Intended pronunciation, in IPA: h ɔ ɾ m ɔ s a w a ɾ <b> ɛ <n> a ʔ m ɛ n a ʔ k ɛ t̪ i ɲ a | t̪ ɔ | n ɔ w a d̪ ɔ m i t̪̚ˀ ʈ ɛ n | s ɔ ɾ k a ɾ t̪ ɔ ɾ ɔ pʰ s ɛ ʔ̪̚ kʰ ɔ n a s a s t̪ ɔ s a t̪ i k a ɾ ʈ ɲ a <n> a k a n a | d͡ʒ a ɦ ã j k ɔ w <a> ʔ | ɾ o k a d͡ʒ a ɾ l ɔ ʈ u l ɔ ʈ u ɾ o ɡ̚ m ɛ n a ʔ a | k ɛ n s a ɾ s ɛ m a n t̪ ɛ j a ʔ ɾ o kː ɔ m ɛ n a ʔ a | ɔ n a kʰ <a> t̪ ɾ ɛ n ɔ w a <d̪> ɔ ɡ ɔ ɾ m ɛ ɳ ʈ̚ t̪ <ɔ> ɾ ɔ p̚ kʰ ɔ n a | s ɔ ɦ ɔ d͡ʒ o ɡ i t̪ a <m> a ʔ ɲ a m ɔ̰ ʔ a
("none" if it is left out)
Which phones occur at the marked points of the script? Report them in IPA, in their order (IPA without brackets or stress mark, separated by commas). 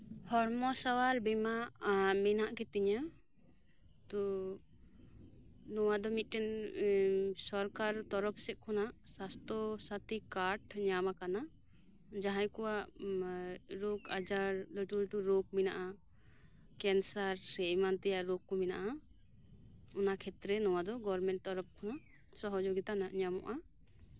b, m, m, a, ɛ, d̪, ɔ, n